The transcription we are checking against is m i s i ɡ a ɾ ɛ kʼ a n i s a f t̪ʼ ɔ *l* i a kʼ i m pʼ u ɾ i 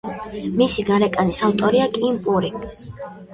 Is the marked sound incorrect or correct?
incorrect